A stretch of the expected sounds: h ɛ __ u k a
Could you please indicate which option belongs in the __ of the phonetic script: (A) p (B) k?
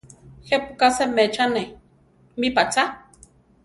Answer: A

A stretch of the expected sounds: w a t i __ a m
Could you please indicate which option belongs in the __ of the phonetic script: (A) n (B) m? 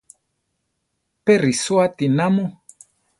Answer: A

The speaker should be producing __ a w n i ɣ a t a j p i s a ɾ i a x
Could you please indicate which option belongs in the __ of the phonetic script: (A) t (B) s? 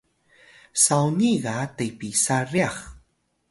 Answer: B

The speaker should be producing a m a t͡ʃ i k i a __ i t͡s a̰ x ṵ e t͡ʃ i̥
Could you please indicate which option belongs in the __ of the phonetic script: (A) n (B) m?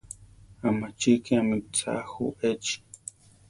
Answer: B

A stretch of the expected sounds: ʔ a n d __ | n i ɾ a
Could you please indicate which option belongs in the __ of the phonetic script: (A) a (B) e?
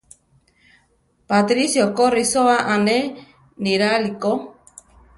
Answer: B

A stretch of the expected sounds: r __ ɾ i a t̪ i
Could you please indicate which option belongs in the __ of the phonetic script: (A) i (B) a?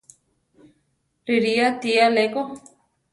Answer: A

